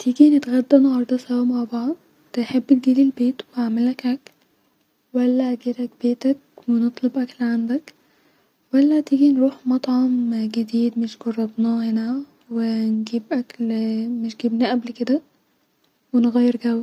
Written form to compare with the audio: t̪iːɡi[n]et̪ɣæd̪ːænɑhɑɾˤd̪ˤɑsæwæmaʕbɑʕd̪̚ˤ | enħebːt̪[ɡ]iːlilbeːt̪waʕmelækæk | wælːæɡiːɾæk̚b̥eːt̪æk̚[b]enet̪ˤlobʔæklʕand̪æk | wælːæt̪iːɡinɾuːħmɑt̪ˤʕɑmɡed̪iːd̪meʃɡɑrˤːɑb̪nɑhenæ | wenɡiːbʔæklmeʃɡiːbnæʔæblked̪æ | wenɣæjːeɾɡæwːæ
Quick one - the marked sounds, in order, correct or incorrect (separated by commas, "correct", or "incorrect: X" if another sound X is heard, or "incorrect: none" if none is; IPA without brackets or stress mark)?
correct, correct, incorrect: w